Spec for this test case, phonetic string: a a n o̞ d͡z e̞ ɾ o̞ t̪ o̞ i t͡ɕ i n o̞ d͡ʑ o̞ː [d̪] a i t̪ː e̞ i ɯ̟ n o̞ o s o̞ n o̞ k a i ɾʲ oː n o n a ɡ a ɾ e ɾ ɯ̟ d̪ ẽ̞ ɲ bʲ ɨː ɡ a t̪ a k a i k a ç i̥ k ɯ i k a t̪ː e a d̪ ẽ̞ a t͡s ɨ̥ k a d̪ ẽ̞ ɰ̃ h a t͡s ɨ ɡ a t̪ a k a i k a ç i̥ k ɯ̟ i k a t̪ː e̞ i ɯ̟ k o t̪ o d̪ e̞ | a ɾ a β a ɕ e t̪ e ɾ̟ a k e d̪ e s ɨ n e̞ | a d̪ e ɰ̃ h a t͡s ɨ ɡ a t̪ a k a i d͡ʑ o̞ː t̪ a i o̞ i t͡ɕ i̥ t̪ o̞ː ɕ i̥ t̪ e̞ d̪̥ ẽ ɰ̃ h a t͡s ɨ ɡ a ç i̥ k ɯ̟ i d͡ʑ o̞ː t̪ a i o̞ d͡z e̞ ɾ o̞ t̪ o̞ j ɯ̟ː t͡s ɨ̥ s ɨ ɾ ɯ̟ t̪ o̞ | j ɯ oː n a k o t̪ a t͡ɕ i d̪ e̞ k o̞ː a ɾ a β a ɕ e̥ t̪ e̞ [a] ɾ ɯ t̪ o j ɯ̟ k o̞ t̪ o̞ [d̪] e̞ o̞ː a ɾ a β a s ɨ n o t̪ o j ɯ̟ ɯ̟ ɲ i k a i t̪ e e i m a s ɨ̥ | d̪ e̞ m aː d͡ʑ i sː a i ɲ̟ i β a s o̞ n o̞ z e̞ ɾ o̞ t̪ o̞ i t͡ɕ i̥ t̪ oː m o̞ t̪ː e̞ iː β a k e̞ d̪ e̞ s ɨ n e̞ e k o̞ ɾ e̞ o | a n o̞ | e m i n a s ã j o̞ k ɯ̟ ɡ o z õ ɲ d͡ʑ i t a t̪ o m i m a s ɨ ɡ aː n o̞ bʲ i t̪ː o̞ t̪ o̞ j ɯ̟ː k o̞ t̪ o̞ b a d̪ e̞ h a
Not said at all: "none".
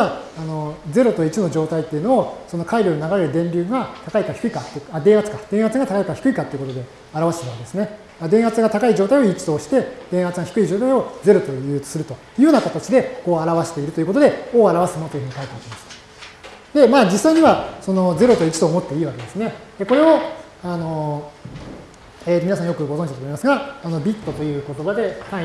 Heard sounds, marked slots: t̪, i, d̪

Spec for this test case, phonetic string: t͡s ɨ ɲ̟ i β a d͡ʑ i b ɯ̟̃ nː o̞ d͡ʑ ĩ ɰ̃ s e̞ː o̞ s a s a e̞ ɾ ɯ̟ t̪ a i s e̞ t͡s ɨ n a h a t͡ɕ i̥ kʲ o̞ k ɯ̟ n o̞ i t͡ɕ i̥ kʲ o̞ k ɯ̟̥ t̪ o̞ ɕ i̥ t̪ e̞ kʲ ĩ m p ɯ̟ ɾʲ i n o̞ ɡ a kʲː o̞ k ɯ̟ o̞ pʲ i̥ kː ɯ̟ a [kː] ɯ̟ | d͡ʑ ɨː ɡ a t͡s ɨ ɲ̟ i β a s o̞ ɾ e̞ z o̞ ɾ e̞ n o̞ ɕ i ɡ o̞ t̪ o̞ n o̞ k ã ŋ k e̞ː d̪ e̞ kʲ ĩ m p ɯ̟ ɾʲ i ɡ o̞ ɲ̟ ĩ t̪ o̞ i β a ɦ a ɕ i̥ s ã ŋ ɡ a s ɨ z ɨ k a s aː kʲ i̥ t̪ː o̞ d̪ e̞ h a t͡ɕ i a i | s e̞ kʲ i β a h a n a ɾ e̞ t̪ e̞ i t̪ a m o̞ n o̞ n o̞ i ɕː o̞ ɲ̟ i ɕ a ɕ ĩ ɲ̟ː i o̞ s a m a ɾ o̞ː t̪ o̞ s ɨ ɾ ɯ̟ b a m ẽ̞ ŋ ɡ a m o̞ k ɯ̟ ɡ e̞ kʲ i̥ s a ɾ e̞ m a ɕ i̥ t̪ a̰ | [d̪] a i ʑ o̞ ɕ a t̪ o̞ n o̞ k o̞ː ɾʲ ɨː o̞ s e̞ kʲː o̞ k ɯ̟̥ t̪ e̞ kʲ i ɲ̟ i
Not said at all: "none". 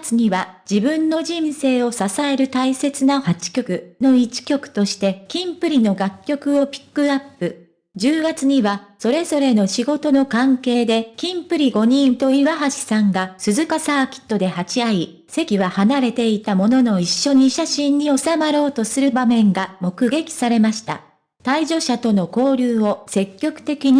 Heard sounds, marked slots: pː, t̪

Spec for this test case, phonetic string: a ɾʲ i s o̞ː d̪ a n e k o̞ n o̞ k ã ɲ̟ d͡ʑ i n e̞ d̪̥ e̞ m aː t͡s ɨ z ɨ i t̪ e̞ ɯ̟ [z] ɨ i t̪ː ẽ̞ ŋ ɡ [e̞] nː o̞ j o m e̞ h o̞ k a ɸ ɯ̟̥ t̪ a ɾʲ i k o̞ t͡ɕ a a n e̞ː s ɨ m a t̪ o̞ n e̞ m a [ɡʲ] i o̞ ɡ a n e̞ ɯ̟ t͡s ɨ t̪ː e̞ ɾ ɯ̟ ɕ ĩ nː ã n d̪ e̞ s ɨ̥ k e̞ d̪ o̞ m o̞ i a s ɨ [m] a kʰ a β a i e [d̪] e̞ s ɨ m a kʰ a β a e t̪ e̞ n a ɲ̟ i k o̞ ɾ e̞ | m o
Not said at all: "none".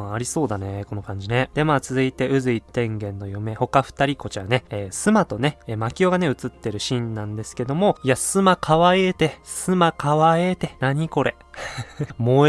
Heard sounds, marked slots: z, ẽ̞, kʲ, m, t̪

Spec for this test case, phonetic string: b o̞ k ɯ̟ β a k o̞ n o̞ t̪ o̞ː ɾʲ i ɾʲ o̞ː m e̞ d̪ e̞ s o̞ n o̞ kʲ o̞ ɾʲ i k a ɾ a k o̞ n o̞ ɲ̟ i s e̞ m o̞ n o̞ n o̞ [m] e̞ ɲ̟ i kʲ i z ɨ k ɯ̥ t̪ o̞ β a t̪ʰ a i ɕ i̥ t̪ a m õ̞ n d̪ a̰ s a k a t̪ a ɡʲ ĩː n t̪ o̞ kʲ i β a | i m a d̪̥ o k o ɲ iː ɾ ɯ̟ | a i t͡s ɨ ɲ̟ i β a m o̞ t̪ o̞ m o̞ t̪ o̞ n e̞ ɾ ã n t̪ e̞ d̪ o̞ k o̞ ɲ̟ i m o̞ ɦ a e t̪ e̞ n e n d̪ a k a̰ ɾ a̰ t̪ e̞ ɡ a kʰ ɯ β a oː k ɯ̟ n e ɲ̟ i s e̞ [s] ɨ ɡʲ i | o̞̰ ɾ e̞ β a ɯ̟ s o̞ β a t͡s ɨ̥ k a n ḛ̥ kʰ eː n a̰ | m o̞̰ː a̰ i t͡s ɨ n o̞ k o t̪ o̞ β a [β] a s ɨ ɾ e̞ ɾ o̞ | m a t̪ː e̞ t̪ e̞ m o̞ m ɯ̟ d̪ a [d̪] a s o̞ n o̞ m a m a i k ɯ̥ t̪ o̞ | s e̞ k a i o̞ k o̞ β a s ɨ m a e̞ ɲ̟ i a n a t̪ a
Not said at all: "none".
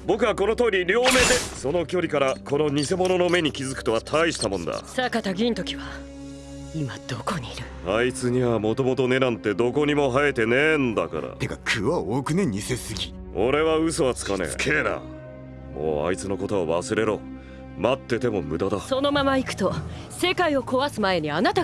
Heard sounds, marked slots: m, s, β, d̪

